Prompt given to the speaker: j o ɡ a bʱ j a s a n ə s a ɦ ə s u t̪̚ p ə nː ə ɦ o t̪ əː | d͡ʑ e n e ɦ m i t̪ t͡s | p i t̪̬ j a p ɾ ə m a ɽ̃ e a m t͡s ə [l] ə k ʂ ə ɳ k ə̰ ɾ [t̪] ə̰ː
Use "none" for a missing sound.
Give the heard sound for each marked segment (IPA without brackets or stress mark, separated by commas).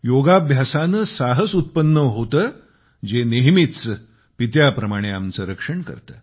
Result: ɾ, t̪